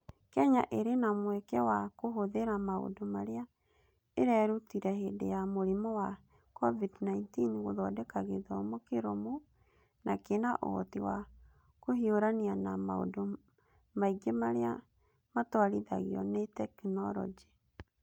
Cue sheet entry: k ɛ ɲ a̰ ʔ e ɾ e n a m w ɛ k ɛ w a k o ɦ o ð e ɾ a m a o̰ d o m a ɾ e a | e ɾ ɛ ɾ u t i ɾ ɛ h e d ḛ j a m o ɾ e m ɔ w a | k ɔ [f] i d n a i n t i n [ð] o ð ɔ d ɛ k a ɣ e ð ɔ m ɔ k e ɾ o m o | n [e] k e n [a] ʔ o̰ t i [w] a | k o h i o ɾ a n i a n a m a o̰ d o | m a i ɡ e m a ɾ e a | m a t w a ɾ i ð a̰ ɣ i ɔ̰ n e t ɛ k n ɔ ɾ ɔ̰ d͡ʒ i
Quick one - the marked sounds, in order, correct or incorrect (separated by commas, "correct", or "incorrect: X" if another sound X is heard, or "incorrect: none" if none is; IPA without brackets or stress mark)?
incorrect: v, incorrect: ɣ, incorrect: a, correct, correct